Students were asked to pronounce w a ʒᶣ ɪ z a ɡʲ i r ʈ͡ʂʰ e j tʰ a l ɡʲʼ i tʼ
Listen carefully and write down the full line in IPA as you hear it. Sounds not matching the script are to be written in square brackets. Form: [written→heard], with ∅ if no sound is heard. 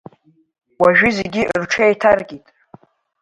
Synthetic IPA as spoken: w a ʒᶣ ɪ z [a→e] ɡʲ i r ʈ͡ʂʰ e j tʰ a [l→r] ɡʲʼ i tʼ